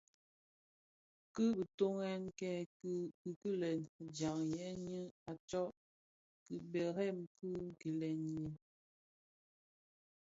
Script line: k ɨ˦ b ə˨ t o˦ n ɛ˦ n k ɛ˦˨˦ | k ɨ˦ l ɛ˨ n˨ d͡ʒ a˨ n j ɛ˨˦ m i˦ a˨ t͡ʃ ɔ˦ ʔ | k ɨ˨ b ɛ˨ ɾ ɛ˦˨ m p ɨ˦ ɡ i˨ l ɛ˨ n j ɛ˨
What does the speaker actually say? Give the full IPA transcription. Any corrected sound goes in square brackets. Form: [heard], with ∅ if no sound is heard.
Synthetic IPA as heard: k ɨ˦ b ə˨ t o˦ [ŋ] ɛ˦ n k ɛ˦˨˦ | k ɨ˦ l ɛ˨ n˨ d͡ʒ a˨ [ŋ] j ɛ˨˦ [ɲ] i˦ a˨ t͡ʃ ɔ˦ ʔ | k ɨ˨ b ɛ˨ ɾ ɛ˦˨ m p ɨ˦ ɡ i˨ l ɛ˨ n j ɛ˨